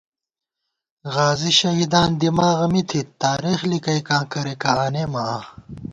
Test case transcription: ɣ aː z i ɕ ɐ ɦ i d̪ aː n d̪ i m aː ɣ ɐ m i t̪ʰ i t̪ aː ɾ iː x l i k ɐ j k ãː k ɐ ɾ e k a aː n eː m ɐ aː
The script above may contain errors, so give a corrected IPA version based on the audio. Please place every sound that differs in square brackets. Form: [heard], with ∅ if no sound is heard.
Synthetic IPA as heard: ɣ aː z i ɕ ɐ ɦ i d̪ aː n d̪ i m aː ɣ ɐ m i t̪ʰ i t̪ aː ɾ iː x l i k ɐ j k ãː k ɐ ɾ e k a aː n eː m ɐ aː